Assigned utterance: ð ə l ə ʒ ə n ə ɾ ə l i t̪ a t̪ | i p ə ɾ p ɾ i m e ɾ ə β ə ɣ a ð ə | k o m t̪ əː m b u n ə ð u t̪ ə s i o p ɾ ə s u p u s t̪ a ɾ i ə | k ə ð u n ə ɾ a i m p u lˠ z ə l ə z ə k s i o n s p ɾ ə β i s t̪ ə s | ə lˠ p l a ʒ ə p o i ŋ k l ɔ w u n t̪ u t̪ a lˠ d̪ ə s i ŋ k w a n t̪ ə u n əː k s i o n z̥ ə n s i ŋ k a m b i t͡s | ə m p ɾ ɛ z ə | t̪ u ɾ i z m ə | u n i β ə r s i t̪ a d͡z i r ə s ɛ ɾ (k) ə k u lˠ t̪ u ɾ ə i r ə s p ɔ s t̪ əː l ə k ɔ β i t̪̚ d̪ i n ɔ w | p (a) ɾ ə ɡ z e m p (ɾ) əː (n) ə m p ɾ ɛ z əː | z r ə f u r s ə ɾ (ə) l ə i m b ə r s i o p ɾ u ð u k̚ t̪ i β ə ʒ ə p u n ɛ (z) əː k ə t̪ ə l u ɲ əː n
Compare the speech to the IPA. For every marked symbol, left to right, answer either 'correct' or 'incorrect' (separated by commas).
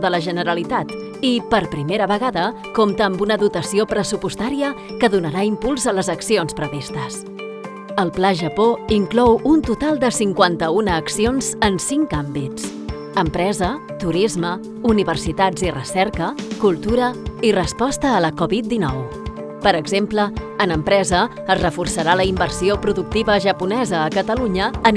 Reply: correct, incorrect, incorrect, correct, incorrect, correct